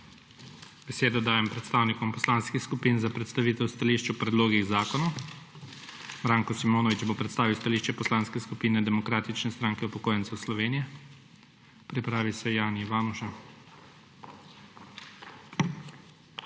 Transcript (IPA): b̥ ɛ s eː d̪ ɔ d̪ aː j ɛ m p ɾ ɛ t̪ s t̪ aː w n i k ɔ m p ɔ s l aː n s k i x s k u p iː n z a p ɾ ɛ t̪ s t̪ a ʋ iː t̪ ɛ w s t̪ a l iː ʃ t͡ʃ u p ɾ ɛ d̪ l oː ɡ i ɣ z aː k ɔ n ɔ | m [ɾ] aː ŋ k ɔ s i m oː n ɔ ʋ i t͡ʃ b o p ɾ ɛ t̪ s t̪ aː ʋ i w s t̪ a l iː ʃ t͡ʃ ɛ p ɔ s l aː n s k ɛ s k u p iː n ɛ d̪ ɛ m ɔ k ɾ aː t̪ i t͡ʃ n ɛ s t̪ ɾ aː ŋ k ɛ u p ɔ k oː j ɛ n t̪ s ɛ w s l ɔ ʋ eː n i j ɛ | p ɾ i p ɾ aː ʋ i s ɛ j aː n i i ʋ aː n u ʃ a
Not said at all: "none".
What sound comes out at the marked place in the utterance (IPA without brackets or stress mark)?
ɾ